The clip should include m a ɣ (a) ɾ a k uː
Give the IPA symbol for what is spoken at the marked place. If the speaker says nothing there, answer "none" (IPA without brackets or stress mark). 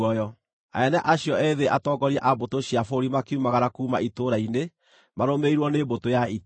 a